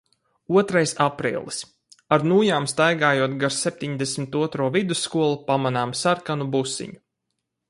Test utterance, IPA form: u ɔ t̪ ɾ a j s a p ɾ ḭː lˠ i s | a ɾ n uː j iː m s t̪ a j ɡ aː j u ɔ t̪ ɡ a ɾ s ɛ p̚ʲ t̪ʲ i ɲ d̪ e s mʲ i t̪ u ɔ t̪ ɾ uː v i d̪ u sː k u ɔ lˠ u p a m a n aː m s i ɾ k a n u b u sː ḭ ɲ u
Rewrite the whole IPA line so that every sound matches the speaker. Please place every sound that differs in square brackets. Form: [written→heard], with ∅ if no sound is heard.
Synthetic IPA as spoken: u ɔ t̪ ɾ a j s a p ɾ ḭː lˠ i s | a ɾ n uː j [iː→aː] m s t̪ a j ɡ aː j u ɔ t̪ ɡ a ɾ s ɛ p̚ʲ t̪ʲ i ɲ d̪ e s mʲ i t̪ u ɔ t̪ ɾ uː v i d̪ u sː k u ɔ lˠ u p a m a n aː m s [i→a] ɾ k a n u b u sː ḭ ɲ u